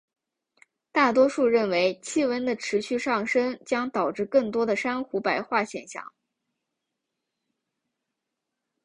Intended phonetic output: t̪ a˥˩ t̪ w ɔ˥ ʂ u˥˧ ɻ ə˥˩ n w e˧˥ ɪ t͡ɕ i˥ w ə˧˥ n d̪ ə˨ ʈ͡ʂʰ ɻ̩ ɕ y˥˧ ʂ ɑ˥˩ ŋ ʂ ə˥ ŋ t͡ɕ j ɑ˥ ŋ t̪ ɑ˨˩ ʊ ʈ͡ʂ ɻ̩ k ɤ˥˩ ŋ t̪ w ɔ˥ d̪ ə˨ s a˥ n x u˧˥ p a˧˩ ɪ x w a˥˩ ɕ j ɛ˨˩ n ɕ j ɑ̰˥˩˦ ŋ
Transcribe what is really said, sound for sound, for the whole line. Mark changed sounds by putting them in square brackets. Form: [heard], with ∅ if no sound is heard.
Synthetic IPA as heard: t̪ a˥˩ t̪ w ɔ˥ ʂ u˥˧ ɻ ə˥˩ n w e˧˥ ɪ [t͡ɕʰ] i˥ w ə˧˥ n d̪ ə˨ ʈ͡ʂʰ ɻ̩ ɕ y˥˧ ʂ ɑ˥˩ ŋ ʂ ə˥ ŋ t͡ɕ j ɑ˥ ŋ t̪ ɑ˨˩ ʊ ʈ͡ʂ ɻ̩ k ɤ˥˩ ŋ t̪ w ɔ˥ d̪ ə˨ [ʂ] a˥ n x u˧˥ p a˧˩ ɪ x w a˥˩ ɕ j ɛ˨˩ n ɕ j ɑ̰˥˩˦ ŋ